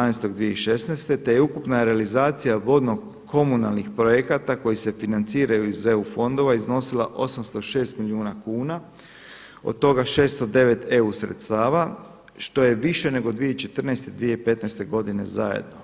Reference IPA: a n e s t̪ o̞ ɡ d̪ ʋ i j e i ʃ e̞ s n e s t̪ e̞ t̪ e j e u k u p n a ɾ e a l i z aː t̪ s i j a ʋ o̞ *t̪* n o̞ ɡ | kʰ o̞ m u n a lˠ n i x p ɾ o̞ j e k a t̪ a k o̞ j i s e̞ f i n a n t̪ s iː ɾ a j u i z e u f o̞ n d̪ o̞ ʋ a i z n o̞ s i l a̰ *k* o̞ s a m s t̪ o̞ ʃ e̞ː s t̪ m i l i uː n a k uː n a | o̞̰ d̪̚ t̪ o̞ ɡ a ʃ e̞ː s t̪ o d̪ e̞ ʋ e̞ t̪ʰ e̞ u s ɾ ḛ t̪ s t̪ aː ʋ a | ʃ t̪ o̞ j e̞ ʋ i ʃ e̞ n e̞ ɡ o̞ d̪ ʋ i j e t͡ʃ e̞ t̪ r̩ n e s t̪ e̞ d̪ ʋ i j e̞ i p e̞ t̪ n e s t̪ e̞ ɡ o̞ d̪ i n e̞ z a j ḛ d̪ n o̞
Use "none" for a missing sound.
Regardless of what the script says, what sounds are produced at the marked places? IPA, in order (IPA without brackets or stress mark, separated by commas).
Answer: d̪, ʔ